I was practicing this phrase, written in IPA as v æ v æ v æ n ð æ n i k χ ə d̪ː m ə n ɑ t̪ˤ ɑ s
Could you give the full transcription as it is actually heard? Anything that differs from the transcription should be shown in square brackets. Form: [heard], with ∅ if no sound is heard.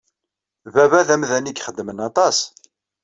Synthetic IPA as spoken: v æ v æ [ð] æ [m] ð æ n i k χ ə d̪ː m ə n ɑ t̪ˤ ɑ s